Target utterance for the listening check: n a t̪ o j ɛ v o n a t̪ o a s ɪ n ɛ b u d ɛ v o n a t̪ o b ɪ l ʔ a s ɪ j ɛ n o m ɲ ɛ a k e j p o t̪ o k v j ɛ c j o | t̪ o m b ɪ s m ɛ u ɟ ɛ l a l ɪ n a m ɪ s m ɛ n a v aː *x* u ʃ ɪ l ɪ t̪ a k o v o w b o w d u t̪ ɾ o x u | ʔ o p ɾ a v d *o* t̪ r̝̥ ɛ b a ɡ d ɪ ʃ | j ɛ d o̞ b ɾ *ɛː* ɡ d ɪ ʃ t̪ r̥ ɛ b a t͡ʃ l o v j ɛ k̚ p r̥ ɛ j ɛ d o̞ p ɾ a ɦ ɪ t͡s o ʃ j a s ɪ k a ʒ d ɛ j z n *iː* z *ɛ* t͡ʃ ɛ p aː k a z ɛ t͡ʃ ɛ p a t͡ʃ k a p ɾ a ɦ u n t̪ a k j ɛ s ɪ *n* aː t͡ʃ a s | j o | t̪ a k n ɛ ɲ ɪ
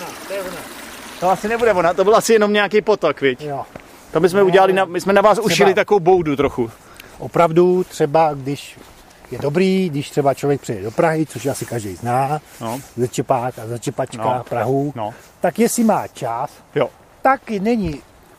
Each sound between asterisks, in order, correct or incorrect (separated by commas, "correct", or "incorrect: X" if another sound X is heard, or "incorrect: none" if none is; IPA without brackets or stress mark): incorrect: s, incorrect: u, incorrect: iː, incorrect: aː, correct, incorrect: m